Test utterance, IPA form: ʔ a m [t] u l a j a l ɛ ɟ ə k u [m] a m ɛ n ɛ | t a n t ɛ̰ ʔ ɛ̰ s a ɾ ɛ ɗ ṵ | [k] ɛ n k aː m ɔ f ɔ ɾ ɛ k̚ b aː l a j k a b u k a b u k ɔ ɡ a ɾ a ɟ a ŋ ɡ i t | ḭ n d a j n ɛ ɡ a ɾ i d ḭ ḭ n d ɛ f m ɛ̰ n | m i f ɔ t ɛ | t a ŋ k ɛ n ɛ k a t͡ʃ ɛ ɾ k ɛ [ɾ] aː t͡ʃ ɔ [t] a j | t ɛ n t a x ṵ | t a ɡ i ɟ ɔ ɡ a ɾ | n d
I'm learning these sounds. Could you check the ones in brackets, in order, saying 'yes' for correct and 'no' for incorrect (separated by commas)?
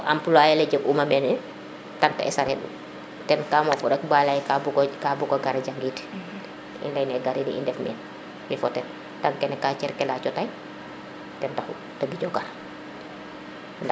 no, yes, no, no, yes